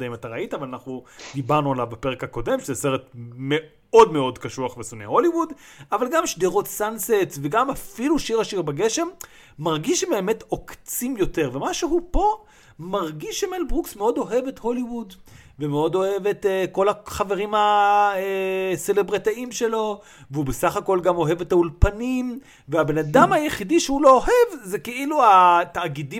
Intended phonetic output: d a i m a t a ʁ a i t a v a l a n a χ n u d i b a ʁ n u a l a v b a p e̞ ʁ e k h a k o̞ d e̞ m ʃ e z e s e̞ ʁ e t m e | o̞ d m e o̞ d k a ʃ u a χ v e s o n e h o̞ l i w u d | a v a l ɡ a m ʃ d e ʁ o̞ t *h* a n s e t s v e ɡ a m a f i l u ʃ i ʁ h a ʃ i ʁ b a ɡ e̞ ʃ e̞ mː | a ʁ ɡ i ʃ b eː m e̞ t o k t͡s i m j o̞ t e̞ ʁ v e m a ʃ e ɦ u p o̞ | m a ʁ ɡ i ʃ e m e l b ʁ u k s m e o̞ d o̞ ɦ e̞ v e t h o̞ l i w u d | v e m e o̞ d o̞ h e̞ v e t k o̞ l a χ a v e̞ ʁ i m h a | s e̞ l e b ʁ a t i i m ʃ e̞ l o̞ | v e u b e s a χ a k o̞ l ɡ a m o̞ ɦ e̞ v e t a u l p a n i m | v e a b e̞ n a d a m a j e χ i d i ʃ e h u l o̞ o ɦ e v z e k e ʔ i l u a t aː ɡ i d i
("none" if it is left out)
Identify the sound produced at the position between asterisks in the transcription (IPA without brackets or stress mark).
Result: s